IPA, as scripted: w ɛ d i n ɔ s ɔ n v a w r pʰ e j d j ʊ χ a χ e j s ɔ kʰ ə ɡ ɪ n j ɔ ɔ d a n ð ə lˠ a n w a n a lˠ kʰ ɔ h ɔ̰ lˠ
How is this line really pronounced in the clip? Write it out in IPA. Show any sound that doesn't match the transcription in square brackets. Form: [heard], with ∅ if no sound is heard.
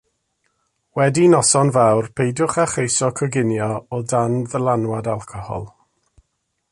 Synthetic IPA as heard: w ɛ d i n ɔ s ɔ n v a w r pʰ e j d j ʊ χ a χ e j s ɔ kʰ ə ɡ ɪ n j ɔ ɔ d a n ð ə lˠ a n w a [d] a lˠ kʰ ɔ h ɔ̰ lˠ